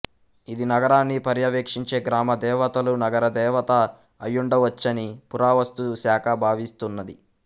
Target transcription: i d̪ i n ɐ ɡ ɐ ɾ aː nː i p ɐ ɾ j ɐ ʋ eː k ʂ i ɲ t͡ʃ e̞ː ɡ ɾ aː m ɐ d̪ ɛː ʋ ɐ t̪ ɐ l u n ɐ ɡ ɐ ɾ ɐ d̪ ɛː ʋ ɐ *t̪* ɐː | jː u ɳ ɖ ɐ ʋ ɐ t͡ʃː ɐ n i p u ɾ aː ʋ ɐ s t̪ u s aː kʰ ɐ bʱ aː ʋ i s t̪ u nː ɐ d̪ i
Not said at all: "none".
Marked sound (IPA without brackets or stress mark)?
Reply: t̪